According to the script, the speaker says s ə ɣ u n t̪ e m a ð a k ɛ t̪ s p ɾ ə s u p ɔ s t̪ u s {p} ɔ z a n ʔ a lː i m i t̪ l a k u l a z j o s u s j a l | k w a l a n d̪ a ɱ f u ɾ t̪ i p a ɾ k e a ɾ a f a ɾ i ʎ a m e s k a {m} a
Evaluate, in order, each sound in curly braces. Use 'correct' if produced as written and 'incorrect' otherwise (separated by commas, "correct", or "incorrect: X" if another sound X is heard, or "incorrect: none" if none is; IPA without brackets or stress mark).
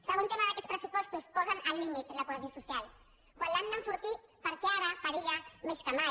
correct, correct